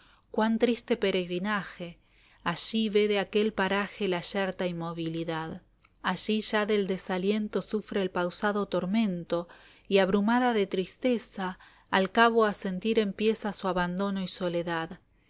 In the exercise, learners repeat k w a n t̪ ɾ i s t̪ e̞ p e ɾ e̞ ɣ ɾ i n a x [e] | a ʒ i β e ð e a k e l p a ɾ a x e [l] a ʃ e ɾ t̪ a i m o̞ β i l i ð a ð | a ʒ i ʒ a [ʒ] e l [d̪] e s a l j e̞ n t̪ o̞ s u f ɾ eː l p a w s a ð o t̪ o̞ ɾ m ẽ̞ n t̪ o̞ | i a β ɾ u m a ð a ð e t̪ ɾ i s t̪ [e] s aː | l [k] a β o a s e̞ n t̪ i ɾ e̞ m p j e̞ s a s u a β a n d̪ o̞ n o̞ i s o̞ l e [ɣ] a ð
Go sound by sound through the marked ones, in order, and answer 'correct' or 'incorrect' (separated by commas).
correct, correct, incorrect, correct, correct, correct, incorrect